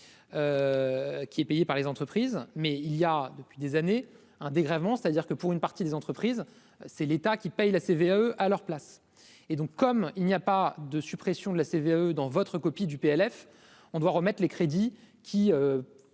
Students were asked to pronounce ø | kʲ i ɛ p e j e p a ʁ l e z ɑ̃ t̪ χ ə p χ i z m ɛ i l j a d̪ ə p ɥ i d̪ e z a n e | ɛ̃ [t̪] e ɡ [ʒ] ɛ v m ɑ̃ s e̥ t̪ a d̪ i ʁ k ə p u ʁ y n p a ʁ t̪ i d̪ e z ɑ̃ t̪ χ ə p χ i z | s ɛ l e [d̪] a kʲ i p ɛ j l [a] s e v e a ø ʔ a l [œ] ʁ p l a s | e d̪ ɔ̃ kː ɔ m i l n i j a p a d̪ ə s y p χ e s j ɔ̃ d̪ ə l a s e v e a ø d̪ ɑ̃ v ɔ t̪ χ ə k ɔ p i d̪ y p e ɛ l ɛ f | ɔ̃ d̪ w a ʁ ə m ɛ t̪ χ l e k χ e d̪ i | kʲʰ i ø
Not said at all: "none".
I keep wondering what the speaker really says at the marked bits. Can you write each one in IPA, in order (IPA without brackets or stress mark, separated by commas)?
d̪, ʁ, t̪, a, œ